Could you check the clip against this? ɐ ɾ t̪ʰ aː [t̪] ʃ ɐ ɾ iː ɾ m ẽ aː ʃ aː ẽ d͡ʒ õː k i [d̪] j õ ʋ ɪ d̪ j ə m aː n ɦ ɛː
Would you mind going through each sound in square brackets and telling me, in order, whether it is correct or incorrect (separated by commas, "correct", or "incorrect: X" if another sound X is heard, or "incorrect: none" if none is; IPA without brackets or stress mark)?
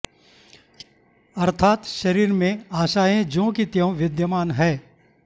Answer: correct, incorrect: t̪